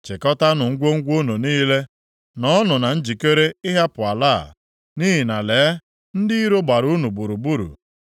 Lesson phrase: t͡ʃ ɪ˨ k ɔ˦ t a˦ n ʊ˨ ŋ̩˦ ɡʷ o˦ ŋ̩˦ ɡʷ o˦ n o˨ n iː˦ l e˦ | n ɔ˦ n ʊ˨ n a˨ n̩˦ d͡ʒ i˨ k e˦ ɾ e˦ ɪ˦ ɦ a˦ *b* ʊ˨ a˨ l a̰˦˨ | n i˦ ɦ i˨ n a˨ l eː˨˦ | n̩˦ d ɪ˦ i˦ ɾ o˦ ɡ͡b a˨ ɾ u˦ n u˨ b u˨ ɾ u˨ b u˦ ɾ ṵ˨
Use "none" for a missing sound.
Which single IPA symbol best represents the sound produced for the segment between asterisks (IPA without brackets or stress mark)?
p